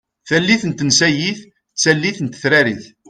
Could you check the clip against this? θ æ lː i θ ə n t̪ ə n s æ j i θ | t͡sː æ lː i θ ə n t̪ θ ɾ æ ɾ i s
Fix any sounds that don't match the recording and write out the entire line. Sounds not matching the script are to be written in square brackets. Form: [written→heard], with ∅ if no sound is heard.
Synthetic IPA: θ æ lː i θ ə n t̪ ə n s æ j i θ | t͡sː æ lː i θ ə n t̪ θ ɾ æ ɾ i [s→θ]